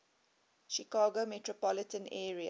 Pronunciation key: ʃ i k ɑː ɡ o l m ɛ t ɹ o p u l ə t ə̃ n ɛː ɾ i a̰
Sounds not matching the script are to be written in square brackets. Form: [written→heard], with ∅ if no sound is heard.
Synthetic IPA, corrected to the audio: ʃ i k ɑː ɡ o [l→∅] m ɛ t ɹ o p [u→ɔ] l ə t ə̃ n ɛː [ɾ→ɹ] i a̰